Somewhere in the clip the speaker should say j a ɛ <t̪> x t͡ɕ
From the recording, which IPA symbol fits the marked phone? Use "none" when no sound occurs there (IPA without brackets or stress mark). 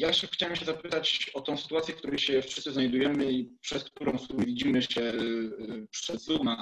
none